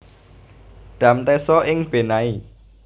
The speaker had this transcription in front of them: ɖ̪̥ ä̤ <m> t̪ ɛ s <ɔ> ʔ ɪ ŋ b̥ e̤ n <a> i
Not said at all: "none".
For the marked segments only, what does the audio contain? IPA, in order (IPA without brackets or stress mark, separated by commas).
m, ɔ, a